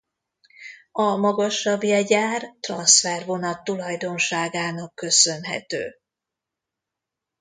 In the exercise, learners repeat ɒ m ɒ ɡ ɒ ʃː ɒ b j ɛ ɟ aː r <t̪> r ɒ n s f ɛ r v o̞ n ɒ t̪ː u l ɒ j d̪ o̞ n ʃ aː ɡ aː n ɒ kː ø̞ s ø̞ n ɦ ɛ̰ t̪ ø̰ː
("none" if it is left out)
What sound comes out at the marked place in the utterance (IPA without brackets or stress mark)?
t̪